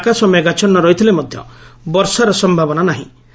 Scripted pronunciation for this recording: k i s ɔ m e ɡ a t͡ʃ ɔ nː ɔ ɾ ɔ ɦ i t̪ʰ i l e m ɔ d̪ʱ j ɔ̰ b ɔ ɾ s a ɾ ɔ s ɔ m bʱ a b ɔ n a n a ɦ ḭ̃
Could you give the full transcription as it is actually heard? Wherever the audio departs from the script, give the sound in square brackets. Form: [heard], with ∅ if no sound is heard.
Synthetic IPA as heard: k [a] s ɔ m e ɡ a t͡ʃ ɔ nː ɔ ɾ ɔ ɦ i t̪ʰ i l e m ɔ d̪ʱ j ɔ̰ b ɔ ɾ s a ɾ ɔ s ɔ m bʱ a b ɔ n a n a ɦ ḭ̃

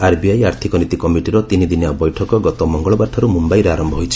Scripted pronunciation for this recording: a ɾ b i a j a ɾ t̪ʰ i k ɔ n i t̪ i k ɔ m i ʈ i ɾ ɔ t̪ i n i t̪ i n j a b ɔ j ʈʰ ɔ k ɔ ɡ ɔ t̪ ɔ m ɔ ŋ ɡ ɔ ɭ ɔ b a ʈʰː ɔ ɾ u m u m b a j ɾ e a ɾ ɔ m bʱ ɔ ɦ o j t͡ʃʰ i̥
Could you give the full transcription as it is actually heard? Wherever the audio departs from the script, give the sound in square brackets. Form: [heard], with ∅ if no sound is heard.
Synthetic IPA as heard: a ɾ b i a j a ɾ t̪ʰ i k ɔ n i t̪ i k ɔ m i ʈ i ɾ ɔ t̪ i n i [d̪] i n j a b ɔ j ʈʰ ɔ k ɔ ɡ ɔ t̪ ɔ m ɔ ŋ ɡ ɔ ɭ ɔ b a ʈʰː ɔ ɾ u m u m b a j ɾ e a ɾ ɔ m bʱ ɔ ɦ o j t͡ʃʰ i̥

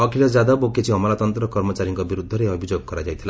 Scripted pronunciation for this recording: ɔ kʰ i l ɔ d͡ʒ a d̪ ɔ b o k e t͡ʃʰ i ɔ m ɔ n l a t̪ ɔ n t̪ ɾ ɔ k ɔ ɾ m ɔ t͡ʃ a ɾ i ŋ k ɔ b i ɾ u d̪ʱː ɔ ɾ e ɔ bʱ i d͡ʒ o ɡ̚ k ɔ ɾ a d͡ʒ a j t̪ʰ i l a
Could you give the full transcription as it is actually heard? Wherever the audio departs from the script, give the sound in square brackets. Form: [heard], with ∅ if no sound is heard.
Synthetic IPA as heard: ɔ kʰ i l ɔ d͡ʒ a d̪ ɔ b o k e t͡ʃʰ i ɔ m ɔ [∅] l a t̪ ɔ n t̪ ɾ ɔ k ɔ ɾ m ɔ t͡ʃ a ɾ i ŋ k ɔ b i ɾ u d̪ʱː ɔ ɾ e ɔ bʱ i d͡ʒ o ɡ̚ k ɔ ɾ a d͡ʒ a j t̪ʰ i l a

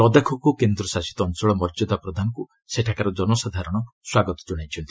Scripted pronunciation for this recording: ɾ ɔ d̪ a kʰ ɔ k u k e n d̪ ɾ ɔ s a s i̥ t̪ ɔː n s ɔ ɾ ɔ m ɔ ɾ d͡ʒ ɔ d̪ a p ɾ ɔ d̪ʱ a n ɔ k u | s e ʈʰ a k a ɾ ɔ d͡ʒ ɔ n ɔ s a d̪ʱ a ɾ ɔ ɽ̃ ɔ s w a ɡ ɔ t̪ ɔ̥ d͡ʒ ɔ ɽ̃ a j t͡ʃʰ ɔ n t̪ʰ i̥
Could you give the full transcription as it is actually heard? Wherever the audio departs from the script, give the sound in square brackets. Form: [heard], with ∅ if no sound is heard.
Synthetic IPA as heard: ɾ ɔ d̪ a kʰ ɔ k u k e n d̪ ɾ ɔ s a s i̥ t̪ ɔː n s ɔ [ɭ] ɔ m ɔ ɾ d͡ʒ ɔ d̪ a p ɾ ɔ d̪ʱ a n ɔ k u | s e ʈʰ a k a ɾ ɔ d͡ʒ ɔ n ɔ s a d̪ʱ a ɾ ɔ ɽ̃ ɔ s w a ɡ ɔ t̪ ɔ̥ d͡ʒ ɔ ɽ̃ a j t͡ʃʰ ɔ n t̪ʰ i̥

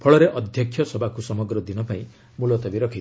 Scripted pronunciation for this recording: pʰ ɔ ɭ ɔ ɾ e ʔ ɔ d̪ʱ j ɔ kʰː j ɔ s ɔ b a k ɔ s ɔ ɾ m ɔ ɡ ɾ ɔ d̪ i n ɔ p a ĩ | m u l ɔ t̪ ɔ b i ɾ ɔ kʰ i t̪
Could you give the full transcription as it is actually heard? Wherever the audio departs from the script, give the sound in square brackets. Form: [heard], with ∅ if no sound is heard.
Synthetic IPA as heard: pʰ ɔ ɭ ɔ ɾ e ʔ ɔ d̪ʱ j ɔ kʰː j ɔ s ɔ b a k [u] s ɔ [∅] m ɔ ɡ ɾ ɔ d̪ i n ɔ p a ĩ | m u l ɔ t̪ ɔ b i ɾ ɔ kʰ i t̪

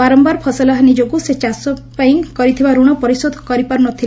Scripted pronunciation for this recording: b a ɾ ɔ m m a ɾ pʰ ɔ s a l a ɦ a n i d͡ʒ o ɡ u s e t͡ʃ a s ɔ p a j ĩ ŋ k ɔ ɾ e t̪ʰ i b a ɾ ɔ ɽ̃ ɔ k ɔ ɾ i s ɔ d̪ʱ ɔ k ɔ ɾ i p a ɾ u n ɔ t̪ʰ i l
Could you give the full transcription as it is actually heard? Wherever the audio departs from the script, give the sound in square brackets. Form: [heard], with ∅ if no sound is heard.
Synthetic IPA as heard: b a ɾ ɔ m [b] a ɾ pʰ ɔ s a l a ɦ a n i d͡ʒ o ɡ u s e t͡ʃ a s ɔ p a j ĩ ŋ k ɔ ɾ [i] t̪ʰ i b a ɾ [u] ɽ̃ ɔ [p] ɔ ɾ i s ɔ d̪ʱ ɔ k ɔ ɾ i p a ɾ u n ɔ t̪ʰ i l

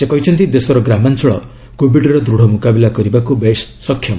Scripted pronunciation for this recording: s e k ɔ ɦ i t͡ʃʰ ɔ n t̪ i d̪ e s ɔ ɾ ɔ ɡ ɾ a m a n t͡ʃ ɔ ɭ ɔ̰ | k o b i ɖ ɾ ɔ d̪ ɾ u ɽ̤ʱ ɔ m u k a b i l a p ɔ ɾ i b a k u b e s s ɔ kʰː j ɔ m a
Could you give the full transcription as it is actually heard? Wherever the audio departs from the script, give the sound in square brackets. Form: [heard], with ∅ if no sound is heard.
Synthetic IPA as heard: s e k ɔ ɦ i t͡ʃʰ ɔ n t̪ i d̪ e s ɔ ɾ ɔ ɡ ɾ a m a n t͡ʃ ɔ ɭ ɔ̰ | k o b i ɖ ɾ ɔ d̪ ɾ u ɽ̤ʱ ɔ m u k a b i l a [k] ɔ ɾ i b a k u b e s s ɔ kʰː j ɔ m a

